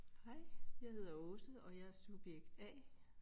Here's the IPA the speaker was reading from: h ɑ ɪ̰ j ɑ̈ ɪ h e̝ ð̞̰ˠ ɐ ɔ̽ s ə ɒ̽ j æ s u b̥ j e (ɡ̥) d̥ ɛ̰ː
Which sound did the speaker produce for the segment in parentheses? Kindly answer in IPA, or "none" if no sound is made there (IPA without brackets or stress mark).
ɡ̥